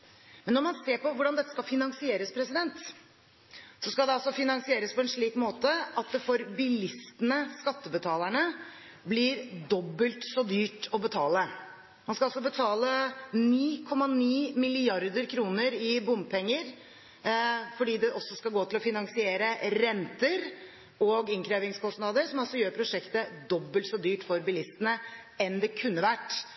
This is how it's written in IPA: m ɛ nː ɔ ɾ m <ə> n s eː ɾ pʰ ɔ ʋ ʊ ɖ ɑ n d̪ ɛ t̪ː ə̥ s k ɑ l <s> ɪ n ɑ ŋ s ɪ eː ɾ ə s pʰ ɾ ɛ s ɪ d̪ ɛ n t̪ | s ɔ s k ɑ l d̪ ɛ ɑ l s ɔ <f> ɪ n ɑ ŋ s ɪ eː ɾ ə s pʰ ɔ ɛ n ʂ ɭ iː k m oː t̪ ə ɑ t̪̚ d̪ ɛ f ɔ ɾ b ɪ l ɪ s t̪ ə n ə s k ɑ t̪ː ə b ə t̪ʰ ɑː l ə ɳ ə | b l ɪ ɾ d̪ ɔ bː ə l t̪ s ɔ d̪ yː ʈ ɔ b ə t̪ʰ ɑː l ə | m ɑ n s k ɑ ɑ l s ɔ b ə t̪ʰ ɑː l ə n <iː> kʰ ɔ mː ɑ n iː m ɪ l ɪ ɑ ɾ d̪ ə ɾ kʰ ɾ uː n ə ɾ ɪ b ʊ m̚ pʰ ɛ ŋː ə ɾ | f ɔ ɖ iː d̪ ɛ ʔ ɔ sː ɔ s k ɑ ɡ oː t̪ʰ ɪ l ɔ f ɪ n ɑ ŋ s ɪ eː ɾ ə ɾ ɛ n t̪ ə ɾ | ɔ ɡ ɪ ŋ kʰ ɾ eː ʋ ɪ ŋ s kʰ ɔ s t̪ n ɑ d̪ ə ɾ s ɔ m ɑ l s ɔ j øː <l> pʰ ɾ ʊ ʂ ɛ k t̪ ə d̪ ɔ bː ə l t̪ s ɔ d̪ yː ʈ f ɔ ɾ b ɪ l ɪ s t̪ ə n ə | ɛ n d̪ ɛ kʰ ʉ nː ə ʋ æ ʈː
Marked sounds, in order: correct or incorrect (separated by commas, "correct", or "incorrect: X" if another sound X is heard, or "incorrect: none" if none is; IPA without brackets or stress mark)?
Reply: incorrect: ɑ, incorrect: f, correct, correct, incorrect: ɾ